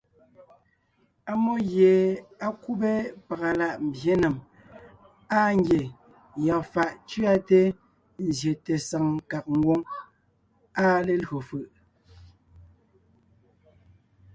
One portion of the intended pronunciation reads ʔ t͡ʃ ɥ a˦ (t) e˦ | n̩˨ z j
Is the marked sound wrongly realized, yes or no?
no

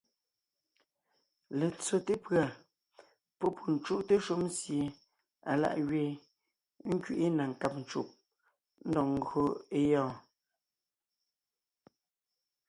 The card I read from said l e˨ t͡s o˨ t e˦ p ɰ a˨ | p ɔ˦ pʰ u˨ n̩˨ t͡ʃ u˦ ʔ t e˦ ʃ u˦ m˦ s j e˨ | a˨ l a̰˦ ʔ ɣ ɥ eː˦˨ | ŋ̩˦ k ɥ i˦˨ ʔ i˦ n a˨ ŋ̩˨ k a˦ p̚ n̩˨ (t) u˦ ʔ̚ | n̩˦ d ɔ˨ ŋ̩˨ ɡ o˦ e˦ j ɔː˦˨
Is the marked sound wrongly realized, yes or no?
yes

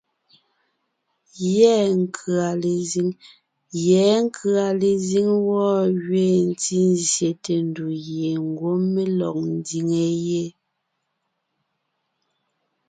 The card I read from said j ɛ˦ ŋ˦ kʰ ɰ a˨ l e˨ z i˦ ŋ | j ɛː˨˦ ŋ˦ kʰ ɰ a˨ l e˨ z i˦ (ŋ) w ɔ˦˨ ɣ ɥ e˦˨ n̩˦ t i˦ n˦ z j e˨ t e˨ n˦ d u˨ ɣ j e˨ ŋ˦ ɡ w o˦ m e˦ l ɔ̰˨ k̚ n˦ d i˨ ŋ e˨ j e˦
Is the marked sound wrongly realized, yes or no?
no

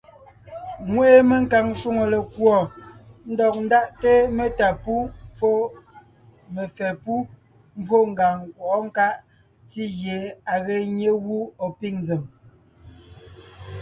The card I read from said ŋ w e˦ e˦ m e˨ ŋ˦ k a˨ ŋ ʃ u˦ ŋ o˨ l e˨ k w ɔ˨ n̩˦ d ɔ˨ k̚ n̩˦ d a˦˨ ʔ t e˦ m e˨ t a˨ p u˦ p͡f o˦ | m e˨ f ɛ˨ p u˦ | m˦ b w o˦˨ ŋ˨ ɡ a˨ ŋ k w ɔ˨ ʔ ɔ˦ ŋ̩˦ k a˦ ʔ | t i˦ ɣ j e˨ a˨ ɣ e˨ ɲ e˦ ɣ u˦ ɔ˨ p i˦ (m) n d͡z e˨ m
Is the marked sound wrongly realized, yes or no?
yes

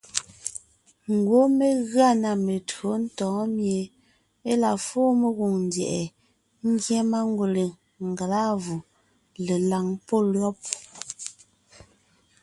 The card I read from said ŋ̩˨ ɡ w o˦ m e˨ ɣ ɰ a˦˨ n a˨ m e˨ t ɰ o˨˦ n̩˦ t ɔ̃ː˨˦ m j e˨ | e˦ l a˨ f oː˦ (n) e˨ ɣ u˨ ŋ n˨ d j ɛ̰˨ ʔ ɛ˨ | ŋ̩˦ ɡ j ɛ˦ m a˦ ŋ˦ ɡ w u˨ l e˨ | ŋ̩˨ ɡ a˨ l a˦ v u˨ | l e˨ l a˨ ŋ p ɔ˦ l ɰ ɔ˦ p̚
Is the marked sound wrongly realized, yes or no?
yes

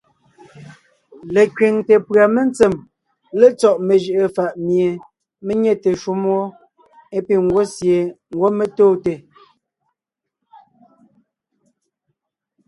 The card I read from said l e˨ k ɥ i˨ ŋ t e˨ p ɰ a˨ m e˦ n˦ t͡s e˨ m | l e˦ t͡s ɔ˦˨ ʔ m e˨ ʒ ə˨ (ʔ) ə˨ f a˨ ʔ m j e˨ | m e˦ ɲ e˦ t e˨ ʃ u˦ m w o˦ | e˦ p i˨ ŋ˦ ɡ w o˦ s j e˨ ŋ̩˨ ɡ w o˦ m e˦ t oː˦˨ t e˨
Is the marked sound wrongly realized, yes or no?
no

